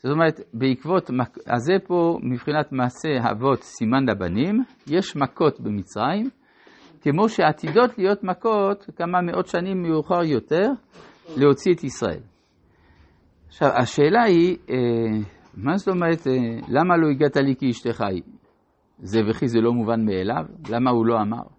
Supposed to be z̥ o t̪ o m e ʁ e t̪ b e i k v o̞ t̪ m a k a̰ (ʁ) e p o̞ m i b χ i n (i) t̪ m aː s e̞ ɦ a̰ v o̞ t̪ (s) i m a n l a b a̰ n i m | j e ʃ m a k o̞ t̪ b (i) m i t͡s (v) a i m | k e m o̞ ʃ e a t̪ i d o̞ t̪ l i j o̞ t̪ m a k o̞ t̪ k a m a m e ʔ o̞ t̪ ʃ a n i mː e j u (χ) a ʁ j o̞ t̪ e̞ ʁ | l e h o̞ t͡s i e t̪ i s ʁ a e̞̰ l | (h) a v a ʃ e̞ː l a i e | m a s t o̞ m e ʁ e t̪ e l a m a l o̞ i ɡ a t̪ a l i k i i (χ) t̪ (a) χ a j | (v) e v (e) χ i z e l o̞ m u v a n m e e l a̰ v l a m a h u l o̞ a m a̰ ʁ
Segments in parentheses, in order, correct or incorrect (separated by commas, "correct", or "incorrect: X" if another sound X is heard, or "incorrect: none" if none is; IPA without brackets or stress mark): incorrect: z, incorrect: a, correct, incorrect: e, incorrect: ʁ, correct, incorrect: ʃ, incorrect: ʃ, incorrect: e, incorrect: z, correct